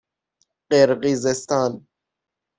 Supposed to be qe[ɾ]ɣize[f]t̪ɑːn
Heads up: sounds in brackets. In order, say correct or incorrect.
correct, incorrect: s

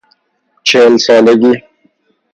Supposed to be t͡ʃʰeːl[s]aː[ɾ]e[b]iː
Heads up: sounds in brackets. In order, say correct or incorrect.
correct, incorrect: l, incorrect: ɡ

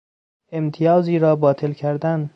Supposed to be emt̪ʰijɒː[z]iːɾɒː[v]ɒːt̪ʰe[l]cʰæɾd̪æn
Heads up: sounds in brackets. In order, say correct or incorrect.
correct, incorrect: b, correct

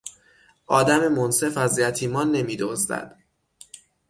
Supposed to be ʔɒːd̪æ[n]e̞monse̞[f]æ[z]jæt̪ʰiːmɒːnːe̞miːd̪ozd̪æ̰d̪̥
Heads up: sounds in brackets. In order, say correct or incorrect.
incorrect: m, correct, correct

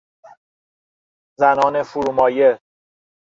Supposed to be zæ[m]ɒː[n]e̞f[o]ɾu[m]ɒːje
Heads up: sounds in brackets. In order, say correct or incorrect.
incorrect: n, correct, incorrect: u, correct

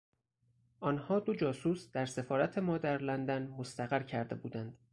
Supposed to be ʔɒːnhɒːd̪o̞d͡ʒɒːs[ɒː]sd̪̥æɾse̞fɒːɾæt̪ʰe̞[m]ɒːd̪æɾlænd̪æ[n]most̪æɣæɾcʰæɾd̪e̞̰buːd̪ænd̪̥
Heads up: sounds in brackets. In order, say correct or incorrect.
incorrect: uː, correct, correct

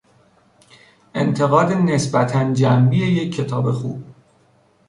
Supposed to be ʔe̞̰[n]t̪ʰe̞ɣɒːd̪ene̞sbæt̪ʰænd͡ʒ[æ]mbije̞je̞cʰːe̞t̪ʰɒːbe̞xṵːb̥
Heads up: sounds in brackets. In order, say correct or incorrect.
correct, correct

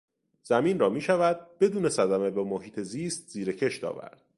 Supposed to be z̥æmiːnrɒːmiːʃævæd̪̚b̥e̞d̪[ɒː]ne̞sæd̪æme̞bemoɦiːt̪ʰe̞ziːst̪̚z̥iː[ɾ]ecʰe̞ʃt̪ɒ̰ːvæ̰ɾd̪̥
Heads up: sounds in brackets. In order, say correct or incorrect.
incorrect: uː, correct

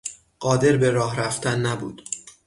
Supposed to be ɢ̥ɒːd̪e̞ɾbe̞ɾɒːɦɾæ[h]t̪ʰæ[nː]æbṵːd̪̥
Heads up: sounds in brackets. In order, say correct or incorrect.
incorrect: f, correct

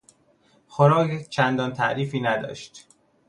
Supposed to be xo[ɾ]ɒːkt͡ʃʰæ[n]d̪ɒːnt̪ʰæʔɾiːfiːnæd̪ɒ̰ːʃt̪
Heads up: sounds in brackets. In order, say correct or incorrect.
correct, correct

